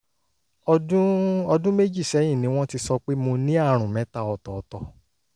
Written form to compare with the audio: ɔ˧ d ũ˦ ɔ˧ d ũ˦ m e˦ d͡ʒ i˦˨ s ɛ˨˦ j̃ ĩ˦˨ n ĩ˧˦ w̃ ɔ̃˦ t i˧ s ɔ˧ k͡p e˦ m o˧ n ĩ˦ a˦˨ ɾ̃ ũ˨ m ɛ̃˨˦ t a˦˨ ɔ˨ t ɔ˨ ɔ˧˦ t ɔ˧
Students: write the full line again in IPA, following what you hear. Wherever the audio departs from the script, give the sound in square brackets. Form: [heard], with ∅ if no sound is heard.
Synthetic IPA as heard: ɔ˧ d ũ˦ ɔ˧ d ũ˦ m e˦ d͡ʒ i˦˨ s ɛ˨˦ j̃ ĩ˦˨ n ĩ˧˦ w̃ ɔ̃˦ t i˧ s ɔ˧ k͡p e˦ m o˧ n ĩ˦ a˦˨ ɾ̃ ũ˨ m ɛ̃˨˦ t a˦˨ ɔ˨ t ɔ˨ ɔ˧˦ t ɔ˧